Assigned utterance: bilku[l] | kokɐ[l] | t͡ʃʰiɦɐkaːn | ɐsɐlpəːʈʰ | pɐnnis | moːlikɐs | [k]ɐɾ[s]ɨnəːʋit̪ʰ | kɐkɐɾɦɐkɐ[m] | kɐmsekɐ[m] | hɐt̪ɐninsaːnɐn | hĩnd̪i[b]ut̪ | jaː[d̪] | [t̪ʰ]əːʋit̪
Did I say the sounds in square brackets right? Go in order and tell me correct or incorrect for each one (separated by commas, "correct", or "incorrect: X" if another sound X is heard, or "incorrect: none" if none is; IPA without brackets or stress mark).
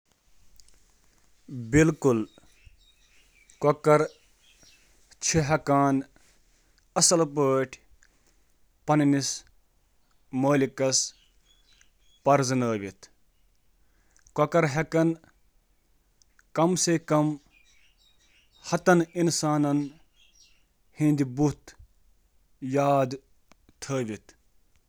correct, incorrect: ɾ, incorrect: p, incorrect: z, incorrect: n, correct, correct, correct, correct